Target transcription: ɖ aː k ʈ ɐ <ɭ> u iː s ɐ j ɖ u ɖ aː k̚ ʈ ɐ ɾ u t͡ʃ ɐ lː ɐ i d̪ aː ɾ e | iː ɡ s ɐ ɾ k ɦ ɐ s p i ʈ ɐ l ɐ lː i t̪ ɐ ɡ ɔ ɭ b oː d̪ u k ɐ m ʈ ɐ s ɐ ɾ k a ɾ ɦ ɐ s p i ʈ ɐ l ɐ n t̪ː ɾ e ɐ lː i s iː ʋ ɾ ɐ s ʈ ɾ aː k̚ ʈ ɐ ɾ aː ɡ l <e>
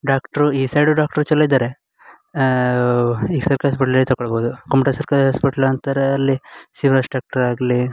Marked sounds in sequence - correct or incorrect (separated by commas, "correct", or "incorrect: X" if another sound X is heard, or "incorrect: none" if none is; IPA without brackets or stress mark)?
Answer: incorrect: ɾ, incorrect: i